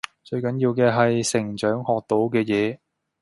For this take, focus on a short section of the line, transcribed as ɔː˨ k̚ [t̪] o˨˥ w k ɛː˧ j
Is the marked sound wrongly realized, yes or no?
no